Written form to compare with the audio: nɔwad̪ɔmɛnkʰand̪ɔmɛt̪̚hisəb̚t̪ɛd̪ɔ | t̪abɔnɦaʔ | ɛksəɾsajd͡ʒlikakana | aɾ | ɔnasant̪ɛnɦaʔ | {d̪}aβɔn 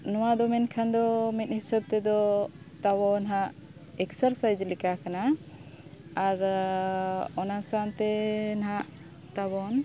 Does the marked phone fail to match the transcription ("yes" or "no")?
yes